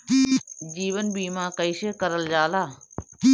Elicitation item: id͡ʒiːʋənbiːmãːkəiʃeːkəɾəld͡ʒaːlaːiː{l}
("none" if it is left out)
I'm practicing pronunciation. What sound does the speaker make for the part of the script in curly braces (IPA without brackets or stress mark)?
none